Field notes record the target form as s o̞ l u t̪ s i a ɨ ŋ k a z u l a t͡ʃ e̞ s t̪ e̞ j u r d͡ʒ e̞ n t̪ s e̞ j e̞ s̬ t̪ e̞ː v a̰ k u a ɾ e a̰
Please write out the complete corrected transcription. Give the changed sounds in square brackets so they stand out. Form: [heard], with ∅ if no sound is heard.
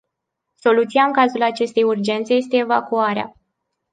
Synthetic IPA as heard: s o̞ l u t̪ s i a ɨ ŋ k a z u l a t͡ʃ e̞ s t̪ e̞ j u r d͡ʒ e̞ n t̪ s e̞ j e̞ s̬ t̪ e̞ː v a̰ k u a ɾ e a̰